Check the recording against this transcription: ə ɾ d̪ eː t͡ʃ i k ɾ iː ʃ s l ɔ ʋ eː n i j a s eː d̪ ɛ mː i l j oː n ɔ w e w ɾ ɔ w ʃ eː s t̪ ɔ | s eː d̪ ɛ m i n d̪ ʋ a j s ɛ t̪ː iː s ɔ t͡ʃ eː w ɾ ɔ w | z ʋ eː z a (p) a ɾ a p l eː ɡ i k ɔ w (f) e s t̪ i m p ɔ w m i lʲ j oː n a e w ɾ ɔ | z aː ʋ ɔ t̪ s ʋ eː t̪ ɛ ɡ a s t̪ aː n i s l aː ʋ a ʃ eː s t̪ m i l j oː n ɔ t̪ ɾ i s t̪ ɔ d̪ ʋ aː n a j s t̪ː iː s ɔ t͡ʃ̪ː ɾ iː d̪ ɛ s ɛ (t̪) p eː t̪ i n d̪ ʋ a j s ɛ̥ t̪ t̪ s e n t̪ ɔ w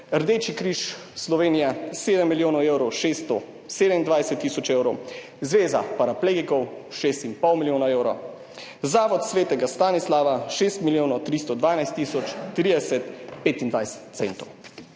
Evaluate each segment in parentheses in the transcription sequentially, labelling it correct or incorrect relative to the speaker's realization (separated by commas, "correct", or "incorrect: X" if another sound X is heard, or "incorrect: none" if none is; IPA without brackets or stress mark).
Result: correct, incorrect: ʃ, correct